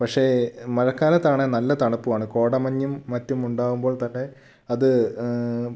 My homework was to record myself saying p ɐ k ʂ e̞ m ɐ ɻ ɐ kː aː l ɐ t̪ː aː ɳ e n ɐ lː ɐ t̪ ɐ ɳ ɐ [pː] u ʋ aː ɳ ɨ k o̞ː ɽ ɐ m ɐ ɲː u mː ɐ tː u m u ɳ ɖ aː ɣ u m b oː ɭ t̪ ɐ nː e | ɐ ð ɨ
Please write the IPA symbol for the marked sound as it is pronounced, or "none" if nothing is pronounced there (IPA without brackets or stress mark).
pː